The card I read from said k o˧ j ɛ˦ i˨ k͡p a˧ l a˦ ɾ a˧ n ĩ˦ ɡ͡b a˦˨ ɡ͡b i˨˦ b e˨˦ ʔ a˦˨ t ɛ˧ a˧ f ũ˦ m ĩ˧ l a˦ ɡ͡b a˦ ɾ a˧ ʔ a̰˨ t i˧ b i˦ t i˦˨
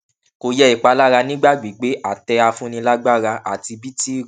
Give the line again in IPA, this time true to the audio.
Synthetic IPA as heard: k o˧ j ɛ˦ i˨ k͡p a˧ l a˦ ɾ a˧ n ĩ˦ ɡ͡b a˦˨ ɡ͡b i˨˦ ɡ͡b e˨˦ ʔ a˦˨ t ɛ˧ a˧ f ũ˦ n ĩ˧ l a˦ ɡ͡b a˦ ɾ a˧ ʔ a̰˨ t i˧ b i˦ t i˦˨

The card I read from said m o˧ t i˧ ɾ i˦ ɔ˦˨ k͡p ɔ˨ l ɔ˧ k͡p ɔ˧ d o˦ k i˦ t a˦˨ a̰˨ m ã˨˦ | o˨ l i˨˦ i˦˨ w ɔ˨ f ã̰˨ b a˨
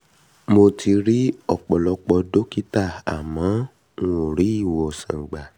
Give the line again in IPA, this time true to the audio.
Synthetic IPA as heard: m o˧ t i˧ ɾ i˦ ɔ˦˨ k͡p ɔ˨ l ɔ˧ k͡p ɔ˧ d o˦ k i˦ t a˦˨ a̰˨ m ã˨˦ | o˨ ɾ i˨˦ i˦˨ w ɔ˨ s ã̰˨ ɡ͡b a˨

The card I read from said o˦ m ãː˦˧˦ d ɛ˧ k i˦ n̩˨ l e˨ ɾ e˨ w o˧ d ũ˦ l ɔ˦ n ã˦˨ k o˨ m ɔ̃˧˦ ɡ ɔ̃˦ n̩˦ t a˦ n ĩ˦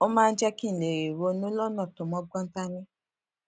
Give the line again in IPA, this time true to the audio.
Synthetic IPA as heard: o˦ m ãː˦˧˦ d͡ʒ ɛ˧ k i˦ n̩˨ l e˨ ɾ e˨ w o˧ n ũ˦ l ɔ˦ n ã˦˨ t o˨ m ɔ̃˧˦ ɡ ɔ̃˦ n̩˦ t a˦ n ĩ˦

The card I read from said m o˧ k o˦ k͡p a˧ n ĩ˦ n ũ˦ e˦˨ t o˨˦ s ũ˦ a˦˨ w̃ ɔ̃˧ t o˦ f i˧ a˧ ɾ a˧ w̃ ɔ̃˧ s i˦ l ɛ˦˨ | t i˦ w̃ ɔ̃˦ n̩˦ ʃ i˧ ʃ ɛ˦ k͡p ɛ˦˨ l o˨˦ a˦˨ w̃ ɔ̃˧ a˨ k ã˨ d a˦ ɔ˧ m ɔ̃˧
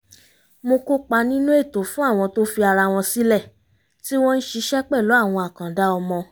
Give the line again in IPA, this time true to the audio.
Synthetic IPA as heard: m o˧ k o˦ k͡p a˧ n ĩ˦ n ũ˦ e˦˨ t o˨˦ f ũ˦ a˦˨ w̃ ɔ̃˧ t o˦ f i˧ a˧ ɾ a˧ w̃ ɔ̃˧ s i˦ l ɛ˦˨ | t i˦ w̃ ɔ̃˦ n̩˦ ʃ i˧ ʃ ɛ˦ k͡p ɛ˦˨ l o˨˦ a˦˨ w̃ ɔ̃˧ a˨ k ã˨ d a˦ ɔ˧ m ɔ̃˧

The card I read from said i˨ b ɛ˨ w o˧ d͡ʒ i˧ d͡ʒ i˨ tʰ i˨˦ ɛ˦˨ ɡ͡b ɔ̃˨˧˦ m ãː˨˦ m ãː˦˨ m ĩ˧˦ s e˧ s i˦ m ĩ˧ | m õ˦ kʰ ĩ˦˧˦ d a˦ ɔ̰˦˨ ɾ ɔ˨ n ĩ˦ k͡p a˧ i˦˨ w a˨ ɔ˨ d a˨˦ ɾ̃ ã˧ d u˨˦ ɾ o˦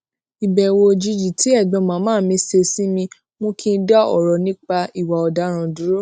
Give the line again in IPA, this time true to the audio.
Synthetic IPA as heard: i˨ b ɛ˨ w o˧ d͡ʒ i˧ d͡ʒ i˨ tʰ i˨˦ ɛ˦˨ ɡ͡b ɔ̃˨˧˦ m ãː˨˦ m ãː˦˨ m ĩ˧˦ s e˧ s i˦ m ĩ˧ | m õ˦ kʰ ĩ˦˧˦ d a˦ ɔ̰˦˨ ɾ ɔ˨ n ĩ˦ k͡p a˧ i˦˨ w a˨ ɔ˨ d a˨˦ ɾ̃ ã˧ d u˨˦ ɾ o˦

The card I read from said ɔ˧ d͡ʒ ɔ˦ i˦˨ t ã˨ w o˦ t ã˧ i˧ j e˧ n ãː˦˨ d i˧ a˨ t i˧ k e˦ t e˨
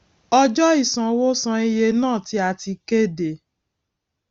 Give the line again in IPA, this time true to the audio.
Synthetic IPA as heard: ɔ˧ d͡ʒ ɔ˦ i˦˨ s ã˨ w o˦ s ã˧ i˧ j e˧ n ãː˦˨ t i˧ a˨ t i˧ k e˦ d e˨

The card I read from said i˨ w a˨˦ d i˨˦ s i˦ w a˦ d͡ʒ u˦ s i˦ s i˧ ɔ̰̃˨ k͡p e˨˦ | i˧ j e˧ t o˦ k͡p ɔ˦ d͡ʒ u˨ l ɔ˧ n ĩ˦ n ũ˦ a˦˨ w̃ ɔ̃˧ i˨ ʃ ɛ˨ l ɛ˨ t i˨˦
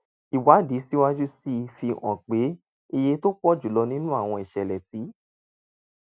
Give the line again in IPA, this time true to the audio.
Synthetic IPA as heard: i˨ w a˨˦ d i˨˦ s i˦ w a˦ d͡ʒ u˦ s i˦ f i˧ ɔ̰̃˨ k͡p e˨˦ | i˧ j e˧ t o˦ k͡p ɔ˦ d͡ʒ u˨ l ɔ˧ n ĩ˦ n ũ˦ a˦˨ w̃ ɔ̃˧ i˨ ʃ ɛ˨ l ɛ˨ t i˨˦

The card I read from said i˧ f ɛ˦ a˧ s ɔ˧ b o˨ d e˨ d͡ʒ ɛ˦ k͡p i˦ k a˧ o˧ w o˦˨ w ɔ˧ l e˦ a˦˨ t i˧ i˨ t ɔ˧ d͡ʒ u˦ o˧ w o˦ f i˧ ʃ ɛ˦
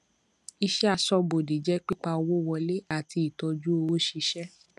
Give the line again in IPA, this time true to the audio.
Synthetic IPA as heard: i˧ ʃ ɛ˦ a˧ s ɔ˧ b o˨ d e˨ d͡ʒ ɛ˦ k͡p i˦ k͡p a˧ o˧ w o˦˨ w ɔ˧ l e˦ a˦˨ t i˧ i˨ t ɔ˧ d͡ʒ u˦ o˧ w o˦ ʃ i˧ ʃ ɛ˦

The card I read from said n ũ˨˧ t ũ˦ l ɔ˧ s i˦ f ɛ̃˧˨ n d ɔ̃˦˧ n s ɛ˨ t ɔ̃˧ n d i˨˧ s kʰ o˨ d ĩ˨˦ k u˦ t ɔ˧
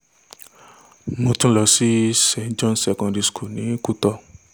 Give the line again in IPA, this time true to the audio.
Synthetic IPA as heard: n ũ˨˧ t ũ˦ l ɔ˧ s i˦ s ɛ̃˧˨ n d͡ʒ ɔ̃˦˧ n s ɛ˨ k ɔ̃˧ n d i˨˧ s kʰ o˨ n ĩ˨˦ k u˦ t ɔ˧

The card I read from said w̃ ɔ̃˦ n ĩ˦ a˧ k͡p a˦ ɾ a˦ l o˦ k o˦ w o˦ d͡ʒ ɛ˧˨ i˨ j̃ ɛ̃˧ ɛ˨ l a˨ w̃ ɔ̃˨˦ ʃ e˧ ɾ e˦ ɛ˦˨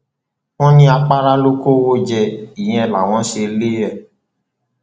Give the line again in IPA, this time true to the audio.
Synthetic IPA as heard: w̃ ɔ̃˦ n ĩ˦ a˧ k͡p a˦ ɾ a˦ l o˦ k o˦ w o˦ d͡ʒ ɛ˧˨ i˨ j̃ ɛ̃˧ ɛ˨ l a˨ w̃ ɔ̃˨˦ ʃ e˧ l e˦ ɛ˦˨

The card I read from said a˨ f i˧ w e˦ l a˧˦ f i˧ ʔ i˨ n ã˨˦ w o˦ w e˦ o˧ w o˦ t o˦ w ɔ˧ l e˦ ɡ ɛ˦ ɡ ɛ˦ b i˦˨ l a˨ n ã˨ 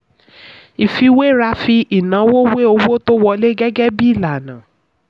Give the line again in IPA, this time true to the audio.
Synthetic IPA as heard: i˨ f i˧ w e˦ ɾ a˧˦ f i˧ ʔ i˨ n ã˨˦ w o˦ w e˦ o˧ w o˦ t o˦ w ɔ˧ l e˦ ɡ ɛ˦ ɡ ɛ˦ b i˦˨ l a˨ n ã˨

